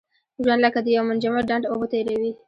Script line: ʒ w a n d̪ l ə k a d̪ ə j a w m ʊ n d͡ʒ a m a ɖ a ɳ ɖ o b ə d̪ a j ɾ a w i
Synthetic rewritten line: ʒ w a n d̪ l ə k a d̪ ə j a w m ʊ n d͡ʒ a m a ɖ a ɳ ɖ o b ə t̪ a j ɾ a w i